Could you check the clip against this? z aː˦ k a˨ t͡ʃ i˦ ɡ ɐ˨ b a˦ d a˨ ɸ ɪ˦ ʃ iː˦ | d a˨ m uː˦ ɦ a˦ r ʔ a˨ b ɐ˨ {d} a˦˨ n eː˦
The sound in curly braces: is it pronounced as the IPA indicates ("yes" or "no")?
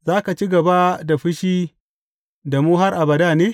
yes